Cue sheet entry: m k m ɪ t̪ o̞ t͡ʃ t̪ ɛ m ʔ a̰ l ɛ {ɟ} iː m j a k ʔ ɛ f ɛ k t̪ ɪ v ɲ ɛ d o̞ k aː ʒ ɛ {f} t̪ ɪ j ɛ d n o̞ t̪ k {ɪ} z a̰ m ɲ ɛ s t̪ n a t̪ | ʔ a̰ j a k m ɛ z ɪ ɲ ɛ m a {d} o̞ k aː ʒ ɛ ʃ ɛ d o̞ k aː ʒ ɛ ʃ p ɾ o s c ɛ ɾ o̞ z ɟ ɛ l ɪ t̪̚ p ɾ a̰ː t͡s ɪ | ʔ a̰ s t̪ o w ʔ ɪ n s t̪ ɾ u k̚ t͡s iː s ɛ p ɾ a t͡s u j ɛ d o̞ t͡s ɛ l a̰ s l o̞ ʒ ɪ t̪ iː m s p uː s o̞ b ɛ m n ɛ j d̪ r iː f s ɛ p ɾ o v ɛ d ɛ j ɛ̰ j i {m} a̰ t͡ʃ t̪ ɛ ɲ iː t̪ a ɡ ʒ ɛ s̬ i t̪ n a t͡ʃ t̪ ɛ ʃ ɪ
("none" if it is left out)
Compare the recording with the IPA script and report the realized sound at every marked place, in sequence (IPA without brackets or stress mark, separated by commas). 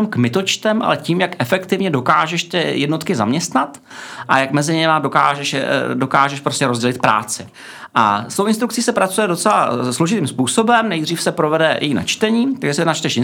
c, ʃ, ɪ, d, n